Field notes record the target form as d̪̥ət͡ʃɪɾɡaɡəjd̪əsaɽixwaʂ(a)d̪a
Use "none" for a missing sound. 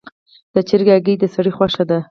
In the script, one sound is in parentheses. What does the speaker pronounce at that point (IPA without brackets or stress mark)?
a